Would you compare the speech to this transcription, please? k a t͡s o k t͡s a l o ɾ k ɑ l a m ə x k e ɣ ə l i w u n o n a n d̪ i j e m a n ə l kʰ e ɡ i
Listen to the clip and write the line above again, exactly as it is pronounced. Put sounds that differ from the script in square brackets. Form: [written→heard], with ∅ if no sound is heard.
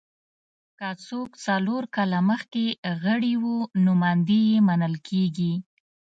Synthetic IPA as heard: k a t͡s o k t͡s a l o ɾ k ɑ l a m ə x k e ɣ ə [l→ɽ] i w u n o [n→m] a n d̪ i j e m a n ə l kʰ e ɡ i